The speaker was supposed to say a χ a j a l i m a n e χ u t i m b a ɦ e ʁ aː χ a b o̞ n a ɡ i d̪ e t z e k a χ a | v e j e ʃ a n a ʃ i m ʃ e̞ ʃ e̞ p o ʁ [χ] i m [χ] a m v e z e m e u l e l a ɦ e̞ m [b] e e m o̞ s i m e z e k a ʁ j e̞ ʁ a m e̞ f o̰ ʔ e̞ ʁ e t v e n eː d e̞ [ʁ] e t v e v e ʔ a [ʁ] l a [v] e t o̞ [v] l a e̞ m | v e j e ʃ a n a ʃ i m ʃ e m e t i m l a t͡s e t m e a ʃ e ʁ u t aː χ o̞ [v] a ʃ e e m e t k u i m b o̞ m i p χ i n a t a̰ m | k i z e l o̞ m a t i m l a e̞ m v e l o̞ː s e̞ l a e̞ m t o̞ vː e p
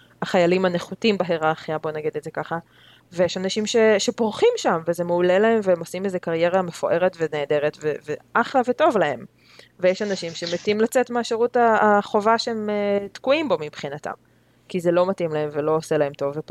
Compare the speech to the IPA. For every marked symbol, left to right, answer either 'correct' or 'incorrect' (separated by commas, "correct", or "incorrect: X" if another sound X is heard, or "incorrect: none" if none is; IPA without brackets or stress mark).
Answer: correct, incorrect: ʃ, incorrect: v, correct, incorrect: χ, correct, correct, correct